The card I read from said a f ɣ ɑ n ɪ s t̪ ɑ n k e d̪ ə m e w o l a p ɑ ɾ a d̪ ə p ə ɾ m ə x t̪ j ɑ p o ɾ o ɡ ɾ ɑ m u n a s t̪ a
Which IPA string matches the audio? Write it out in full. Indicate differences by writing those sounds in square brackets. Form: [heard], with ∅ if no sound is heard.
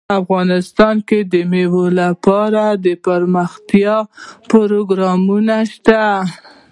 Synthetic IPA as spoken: a f ɣ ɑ n ɪ s t̪ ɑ n k e d̪ ə m e w o l a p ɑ ɾ a d̪ ə p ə ɾ m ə x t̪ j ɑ p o ɾ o ɡ ɾ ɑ m u n a [ʃ] t̪ a